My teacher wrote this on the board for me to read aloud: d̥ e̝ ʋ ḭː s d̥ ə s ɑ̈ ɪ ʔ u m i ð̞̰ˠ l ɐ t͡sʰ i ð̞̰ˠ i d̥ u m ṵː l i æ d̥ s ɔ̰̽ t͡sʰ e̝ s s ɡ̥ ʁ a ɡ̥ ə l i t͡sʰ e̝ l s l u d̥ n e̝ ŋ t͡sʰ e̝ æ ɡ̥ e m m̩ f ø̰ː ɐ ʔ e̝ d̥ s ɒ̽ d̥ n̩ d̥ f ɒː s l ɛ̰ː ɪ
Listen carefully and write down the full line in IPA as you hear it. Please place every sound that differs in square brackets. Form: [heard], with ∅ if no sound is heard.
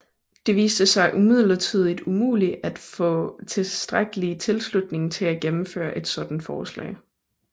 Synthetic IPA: d̥ e̝ ʋ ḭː s d̥ ə s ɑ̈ ɪ ʔ u m i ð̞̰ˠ l ɐ t͡sʰ i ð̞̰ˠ i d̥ u m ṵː l i æ d̥ [f] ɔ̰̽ t͡sʰ e̝ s s [d̥] ʁ a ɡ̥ ə l i t͡sʰ e̝ l s l u d̥ n e̝ ŋ t͡sʰ e̝ æ ɡ̥ e m m̩ f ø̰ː ɐ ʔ e̝ d̥ s ɒ̽ d̥ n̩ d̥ f ɒː s l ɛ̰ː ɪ